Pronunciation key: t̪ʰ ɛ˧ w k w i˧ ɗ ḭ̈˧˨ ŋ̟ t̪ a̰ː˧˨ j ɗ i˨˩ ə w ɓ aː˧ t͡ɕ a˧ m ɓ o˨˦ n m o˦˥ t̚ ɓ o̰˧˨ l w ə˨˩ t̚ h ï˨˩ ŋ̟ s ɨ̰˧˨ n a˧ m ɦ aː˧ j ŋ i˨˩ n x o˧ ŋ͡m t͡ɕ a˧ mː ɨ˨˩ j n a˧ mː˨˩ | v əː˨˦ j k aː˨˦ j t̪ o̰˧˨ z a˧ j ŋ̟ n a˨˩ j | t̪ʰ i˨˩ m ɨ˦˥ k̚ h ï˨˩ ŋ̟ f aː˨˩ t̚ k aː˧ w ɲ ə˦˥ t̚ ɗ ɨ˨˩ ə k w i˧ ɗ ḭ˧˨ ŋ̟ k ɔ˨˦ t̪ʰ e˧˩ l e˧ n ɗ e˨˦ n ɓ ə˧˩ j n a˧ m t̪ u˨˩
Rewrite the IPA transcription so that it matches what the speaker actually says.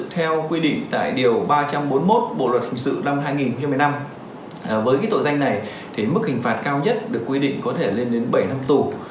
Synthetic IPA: t̪ʰ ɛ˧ w k w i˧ ɗ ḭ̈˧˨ ŋ̟ t̪ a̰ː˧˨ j ɗ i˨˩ ə w ɓ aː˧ t͡ɕ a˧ m ɓ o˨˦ n m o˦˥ t̚ ɓ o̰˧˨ l w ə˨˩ t̚ h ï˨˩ ŋ̟ s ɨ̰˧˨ n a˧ m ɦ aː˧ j ŋ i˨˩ n x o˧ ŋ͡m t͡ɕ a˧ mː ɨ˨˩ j n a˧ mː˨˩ | v əː˨˦ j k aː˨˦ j t̪ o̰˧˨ z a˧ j ŋ̟ n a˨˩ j | t̪ʰ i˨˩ m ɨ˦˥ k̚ h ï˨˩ ŋ̟ f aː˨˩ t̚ k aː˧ w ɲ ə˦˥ t̚ ɗ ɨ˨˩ ə k w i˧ ɗ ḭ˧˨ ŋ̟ k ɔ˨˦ t̪ʰ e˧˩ l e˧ n ɗ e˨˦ n ɓ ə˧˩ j n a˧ m t̪ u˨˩